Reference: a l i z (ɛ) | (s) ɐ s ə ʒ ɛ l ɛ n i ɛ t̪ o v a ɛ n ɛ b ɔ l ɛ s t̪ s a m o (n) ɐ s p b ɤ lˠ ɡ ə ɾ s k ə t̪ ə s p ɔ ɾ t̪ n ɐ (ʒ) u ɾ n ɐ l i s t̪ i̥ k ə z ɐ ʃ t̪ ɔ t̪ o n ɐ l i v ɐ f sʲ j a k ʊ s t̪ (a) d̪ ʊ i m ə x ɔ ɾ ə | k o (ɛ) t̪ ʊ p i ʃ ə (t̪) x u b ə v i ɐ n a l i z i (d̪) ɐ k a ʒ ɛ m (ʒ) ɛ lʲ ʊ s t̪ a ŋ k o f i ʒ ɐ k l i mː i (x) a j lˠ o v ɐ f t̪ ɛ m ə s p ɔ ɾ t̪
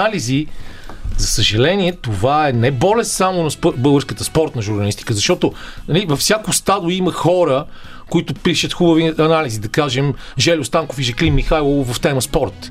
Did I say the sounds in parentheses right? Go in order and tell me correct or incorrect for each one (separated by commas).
incorrect, incorrect, correct, correct, correct, incorrect, correct, correct, correct, correct